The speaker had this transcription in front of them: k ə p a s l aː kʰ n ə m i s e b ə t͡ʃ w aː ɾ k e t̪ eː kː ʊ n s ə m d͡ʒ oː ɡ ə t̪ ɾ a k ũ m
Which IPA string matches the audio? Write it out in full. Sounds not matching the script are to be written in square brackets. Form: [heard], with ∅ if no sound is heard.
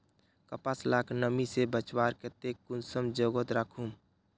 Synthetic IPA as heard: k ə p a s l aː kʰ n ə m i s e b ə t͡ʃ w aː ɾ k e t̪ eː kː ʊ n s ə m d͡ʒ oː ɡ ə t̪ ɾ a [kʰ] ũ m